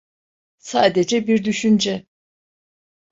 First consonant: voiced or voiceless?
voiceless